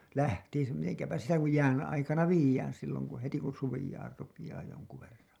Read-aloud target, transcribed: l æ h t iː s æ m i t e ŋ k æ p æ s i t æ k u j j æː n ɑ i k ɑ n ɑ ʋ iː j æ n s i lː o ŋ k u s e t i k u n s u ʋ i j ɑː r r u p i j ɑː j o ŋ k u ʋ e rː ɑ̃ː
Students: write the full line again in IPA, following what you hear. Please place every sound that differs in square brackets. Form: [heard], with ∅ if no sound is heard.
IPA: l æ h t iː s æ m i t e ŋ k æ p æ s i t æ k u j j æː n ɑ i k ɑ n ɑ ʋ iː j [æː] n s i lː o ŋ k u [h] e t i k u n s u ʋ i j ɑː r r u p i j ɑː j o ŋ k u ʋ e rː ɑ̃ː